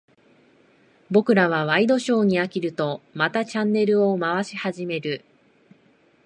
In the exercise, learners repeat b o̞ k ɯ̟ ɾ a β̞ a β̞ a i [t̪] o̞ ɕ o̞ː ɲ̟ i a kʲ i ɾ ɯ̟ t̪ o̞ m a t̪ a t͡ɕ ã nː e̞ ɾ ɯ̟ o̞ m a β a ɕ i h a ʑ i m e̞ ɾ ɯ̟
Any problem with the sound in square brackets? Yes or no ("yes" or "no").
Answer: yes